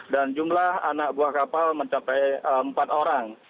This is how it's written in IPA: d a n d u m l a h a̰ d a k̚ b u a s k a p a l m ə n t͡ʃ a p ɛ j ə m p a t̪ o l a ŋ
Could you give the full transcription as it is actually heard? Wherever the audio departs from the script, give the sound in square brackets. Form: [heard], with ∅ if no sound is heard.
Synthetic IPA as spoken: d a n [d͡ʒ] u m l a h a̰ [n] a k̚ b u a [h] k a p a l m ə [ɲ] t͡ʃ a p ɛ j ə m p a t̪ o [ɾ] a ŋ